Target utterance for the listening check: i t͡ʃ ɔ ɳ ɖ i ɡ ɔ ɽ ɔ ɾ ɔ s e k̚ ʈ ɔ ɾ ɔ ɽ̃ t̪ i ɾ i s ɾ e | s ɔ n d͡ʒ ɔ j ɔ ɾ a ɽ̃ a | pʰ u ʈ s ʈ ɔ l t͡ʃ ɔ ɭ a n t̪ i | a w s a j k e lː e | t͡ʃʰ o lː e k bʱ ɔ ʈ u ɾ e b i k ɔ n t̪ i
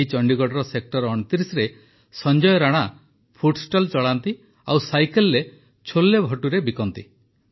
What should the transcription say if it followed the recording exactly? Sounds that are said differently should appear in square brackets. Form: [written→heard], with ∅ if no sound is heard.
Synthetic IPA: i t͡ʃ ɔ ɳ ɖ i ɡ ɔ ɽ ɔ ɾ ɔ s e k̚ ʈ ɔ ɾ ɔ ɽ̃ t̪ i ɾ i s ɾ e | s ɔ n d͡ʒ ɔ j ɔ ɾ a ɽ̃ a | pʰ u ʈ s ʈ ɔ l t͡ʃ ɔ ɭ a n t̪ i | a w s a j k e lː e | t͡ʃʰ o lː e [k→∅] bʱ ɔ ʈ u ɾ e b i k ɔ n t̪ i